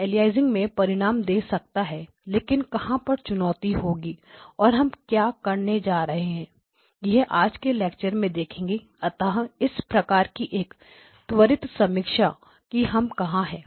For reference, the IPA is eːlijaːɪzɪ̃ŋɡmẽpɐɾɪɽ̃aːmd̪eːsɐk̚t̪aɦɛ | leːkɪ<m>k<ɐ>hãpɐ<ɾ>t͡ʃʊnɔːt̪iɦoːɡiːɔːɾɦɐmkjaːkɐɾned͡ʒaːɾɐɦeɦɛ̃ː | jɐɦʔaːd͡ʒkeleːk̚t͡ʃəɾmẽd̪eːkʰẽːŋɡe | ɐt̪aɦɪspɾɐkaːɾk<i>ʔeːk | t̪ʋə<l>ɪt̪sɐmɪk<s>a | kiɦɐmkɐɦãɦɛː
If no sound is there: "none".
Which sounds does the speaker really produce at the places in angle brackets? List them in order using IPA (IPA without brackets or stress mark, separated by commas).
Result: n, ɐ, ɾ, i, ɾ, ʃ